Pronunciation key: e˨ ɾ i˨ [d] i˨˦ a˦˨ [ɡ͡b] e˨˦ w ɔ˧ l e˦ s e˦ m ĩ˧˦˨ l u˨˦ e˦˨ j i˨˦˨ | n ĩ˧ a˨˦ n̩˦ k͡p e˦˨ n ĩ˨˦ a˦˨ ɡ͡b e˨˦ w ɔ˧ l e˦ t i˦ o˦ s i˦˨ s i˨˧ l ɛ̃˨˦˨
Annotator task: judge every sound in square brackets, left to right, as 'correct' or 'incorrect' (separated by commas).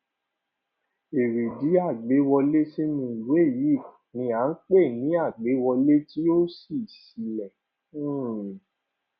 correct, correct